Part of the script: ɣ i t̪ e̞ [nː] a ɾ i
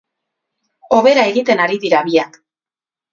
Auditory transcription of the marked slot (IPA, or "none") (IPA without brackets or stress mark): n